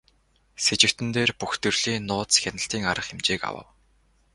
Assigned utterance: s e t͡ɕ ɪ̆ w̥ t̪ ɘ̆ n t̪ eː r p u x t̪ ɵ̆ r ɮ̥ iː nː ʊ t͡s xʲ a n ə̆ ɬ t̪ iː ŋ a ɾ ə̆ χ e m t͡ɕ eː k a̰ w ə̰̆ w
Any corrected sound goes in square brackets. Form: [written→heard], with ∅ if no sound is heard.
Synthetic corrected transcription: s e t͡ɕ ɪ̆ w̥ t̪ ɘ̆ n t̪ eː r p u x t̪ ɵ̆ r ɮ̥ iː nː [ʊ→ʊː] t͡s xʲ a n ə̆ ɬ t̪ iː ŋ a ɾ ə̆ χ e m t͡ɕ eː k a̰ w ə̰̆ w

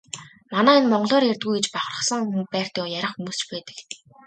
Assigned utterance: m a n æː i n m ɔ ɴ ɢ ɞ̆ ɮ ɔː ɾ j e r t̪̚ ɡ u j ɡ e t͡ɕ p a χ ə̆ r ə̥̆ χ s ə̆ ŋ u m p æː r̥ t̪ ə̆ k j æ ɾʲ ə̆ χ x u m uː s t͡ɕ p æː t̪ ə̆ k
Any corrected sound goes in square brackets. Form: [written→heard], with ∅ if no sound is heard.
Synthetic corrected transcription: m a n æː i n m ɔ ɴ ɢ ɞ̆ ɮ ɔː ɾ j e r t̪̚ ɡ u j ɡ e t͡ɕ p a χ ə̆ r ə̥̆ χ s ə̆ ŋ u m p æː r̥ t̪ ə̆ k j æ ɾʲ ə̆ χ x u m uː s t͡ɕ p æː t̪ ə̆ k

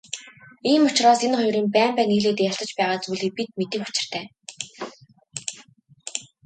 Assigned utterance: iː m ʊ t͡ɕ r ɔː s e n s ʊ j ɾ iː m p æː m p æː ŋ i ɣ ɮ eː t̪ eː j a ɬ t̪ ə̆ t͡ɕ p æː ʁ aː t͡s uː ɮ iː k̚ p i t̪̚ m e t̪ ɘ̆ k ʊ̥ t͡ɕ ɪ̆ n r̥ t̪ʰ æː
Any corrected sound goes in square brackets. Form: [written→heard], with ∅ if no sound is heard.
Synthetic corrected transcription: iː m ʊ t͡ɕ r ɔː s e n [s→χ] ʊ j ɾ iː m p æː m p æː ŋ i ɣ ɮ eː t̪ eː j a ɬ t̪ ə̆ t͡ɕ p æː ʁ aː t͡s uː ɮ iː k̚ p i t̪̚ m e t̪ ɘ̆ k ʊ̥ t͡ɕ ɪ̆ [n→∅] r̥ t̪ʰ æː

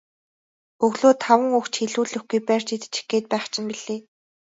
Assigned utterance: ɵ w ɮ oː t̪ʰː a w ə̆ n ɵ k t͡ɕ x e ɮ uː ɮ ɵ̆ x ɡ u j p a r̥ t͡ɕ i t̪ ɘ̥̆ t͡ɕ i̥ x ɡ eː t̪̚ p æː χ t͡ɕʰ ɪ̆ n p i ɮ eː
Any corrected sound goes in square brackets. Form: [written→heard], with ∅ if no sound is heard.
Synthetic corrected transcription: ɵ [w→ɣ] ɮ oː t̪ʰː a w ə̆ [n→ŋ] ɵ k t͡ɕ x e ɮ uː ɮ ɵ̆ x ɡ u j p [a→æ] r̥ t͡ɕ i t̪ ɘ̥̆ t͡ɕ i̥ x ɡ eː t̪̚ p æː χ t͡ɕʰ ɪ̆ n p i ɮ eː

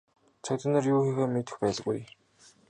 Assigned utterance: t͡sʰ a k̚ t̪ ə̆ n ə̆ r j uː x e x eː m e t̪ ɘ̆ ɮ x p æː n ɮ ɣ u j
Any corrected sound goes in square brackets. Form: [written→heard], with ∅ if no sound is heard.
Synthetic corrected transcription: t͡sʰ a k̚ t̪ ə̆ n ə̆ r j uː x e x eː m e t̪ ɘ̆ [ɮ→∅] x p æː [n→∅] ɮ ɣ u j

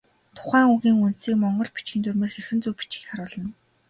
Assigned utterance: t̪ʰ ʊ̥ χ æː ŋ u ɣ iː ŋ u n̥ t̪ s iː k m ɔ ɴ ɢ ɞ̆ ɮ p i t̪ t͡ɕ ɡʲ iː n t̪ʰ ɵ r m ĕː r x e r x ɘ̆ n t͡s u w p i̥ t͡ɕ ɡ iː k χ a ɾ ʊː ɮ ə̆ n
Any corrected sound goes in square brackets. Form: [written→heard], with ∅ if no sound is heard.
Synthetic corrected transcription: t̪ʰ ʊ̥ χ æː ŋ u ɣ iː ŋ u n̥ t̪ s iː k m ɔ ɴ ɢ ɞ̆ ɮ p i [t̪→∅] t͡ɕ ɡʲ iː n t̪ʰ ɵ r m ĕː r x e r x ɘ̆ n t͡s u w p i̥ t͡ɕ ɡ iː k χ a ɾ ʊː ɮ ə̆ n

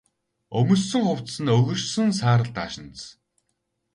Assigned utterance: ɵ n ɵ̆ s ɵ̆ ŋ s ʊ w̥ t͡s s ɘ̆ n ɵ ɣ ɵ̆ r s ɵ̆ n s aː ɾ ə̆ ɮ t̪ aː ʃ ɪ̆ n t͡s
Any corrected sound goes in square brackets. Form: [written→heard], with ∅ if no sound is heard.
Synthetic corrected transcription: ɵ [n→m] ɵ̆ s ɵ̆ ŋ [s→χ] ʊ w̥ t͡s s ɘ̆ n ɵ ɣ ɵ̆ r s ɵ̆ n s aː ɾ ə̆ ɮ t̪ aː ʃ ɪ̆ n t͡s

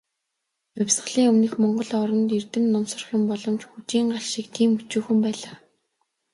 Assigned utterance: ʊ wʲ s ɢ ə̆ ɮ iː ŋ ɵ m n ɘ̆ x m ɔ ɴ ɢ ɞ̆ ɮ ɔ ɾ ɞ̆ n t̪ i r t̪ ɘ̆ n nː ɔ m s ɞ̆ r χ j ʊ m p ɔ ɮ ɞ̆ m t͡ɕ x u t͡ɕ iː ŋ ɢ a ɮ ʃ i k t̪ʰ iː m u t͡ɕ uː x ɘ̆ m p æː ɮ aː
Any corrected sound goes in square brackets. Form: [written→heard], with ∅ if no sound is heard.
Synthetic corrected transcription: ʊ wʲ s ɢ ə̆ ɮ iː ŋ ɵ m n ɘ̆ x m ɔ ɴ ɢ ɞ̆ ɮ ɔ ɾ ɞ̆ n t̪ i r t̪ ɘ̆ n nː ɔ m s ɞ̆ r χ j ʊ m p ɔ ɮ ɞ̆ m t͡ɕ x u t͡ɕ iː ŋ ɢ a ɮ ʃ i k t̪ʰ iː m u t͡ɕ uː x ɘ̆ m p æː ɮ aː

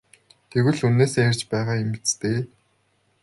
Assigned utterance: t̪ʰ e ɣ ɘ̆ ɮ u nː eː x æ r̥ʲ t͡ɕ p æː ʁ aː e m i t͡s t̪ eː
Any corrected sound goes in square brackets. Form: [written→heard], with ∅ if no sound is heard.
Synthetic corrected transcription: t̪ʰ e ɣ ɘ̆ ɮ u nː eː [x→s] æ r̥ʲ t͡ɕ p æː ʁ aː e m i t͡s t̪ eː

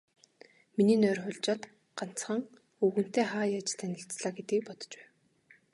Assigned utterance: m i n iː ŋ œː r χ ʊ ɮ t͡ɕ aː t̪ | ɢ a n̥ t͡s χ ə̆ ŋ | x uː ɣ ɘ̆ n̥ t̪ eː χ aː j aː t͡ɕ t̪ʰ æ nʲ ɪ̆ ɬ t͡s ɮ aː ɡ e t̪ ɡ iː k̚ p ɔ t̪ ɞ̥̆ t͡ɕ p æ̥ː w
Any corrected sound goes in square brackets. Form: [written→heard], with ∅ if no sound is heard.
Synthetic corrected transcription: m i n iː [ŋ→n] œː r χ ʊ ɮ t͡ɕ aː t̪ | ɢ a n̥ t͡s χ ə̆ ŋ | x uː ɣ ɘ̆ n̥ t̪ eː χ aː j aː t͡ɕ t̪ʰ æ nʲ ɪ̆ ɬ t͡s ɮ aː ɡ e t̪ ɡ iː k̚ p ɔ t̪ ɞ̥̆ t͡ɕ p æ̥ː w

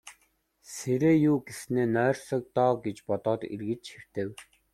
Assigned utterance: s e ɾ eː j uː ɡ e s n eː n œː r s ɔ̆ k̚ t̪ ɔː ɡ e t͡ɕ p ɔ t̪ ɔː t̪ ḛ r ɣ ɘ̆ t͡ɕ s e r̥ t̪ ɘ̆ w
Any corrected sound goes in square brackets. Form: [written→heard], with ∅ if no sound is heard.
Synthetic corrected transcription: s e ɾ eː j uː ɡ e s n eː n œː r s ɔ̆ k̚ t̪ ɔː ɡ e t͡ɕ p ɔ t̪ ɔː t̪ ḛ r ɣ ɘ̆ t͡ɕ [s→x] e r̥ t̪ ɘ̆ w

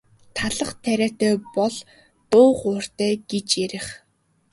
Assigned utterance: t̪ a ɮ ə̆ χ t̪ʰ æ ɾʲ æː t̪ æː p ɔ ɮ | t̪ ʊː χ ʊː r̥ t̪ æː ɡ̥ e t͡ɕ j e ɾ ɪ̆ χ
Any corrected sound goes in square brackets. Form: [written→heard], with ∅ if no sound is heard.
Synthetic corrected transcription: [t̪→t̪ʰ] a ɮ ə̆ χ t̪ʰ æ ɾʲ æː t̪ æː p ɔ ɮ | t̪ ʊː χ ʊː r̥ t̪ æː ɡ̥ e t͡ɕ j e ɾ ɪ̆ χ

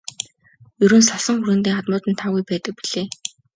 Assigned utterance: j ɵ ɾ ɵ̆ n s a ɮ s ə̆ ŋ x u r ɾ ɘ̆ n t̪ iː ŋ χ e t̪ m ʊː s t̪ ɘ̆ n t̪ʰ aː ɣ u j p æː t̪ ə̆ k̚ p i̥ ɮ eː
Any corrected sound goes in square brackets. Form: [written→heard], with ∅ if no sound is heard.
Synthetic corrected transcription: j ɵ ɾ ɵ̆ n s a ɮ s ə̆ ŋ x u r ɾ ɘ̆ n t̪ iː ŋ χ [e→a] t̪ m ʊː [s→∅] t̪ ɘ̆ n t̪ʰ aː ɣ u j p æː t̪ ə̆ k̚ p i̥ ɮ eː

